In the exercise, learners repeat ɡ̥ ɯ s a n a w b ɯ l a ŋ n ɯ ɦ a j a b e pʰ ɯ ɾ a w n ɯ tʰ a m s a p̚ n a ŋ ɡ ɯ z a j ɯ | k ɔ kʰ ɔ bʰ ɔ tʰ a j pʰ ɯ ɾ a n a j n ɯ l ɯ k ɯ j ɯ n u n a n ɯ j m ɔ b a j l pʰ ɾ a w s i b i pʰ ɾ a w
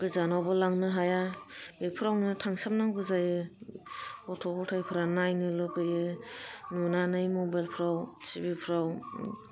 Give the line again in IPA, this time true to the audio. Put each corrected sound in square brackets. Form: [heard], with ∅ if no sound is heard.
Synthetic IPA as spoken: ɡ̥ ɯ [z] a n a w b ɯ l a ŋ n ɯ ɦ a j a b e pʰ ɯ ɾ a w n ɯ tʰ a [ŋ] s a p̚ n a ŋ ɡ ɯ z a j ɯ | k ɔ [tʰ] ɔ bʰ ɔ tʰ a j pʰ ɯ ɾ a n a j n ɯ l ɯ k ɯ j ɯ n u n a n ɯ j m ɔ b a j l pʰ ɾ a w s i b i pʰ ɾ a w

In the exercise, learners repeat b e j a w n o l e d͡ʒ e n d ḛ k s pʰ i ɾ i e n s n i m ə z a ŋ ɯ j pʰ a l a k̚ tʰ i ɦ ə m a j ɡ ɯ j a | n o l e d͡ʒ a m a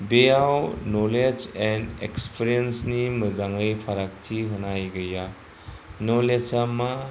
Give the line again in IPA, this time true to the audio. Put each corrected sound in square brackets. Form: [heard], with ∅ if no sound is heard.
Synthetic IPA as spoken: b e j a w n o l e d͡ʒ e n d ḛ k s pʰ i ɾ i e n s n i m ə z a ŋ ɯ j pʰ a [ɾ] a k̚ tʰ i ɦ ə [n] a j ɡ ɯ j a | n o l e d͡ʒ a m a

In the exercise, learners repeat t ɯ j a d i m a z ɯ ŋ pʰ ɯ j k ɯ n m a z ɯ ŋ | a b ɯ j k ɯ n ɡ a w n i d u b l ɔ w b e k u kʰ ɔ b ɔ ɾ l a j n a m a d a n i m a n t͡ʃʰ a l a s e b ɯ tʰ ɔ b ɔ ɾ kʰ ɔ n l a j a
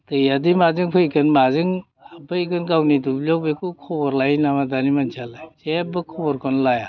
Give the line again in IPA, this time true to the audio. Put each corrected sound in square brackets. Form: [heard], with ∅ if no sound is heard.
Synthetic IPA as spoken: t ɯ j a d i m a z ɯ ŋ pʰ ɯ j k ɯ n m a z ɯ ŋ | a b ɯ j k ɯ n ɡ a w n i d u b l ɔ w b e k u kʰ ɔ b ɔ ɾ l a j n a m a d a n i m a n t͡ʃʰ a l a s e b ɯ [kʰ] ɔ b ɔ ɾ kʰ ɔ n l a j a

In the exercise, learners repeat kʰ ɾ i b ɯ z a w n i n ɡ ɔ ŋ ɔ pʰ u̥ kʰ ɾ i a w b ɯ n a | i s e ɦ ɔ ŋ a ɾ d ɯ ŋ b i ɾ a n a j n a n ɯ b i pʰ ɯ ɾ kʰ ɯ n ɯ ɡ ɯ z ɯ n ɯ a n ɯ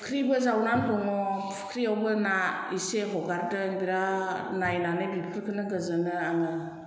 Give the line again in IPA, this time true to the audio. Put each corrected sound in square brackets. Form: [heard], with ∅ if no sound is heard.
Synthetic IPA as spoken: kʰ ɾ i b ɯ z a w n [a] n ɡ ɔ ŋ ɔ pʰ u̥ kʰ ɾ i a w b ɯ n a | i s e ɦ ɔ [ɡ] a ɾ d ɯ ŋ b i ɾ a n a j n a n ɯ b i pʰ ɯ ɾ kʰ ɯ n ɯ ɡ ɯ z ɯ n ɯ a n ɯ

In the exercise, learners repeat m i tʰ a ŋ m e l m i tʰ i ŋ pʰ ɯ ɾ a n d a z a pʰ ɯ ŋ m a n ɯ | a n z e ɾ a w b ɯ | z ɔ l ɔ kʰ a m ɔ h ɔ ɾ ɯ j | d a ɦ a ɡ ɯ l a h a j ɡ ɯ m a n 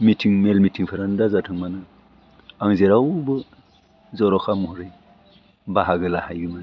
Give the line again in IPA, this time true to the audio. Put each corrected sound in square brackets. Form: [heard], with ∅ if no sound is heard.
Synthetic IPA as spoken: m i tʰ [i] ŋ m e l m i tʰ i ŋ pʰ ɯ ɾ a n d a z a [tʰ] ɯ ŋ m a n ɯ | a [ŋ] z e ɾ a w b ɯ | z ɔ [ɾ] ɔ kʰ a m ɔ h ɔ ɾ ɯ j | [b] a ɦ a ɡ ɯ l a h a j ɡ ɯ m a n

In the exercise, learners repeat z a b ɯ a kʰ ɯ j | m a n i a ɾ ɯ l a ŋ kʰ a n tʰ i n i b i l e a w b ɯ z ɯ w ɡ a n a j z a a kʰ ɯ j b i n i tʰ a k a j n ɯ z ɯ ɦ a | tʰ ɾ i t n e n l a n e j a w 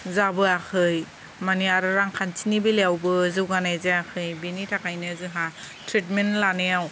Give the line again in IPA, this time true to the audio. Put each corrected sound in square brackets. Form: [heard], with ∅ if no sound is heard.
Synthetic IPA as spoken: z a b ɯ a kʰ ɯ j | m a n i a ɾ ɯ [ɾ] a ŋ kʰ a n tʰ i n i b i l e a w b ɯ z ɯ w ɡ a n a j z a a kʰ ɯ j b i n i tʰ a k a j n ɯ z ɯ ɦ a | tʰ ɾ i t [m] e n l a n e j a w

